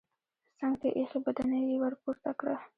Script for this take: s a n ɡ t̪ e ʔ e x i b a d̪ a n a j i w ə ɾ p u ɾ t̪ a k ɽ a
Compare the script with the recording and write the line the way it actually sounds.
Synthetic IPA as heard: s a ŋ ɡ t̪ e ʔ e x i b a d̪ a n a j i w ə ɾ p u ɾ t̪ a k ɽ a